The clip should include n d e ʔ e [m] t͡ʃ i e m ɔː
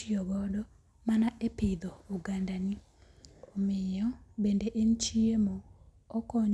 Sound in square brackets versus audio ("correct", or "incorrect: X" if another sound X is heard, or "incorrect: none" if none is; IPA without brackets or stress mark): incorrect: n